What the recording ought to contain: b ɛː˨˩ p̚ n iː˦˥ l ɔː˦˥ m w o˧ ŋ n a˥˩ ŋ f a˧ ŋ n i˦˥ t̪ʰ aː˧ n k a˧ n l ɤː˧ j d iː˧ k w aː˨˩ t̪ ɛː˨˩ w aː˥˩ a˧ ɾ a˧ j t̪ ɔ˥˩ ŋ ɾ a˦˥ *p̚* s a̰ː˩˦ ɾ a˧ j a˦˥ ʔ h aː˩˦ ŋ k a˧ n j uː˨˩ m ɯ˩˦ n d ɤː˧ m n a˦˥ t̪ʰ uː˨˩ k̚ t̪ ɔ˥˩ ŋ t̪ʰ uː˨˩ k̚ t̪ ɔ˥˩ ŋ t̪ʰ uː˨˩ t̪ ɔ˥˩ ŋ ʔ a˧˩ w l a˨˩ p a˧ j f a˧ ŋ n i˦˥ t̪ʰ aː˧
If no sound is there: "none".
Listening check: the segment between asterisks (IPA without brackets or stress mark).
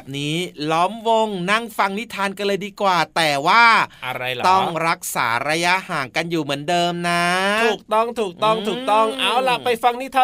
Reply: k̚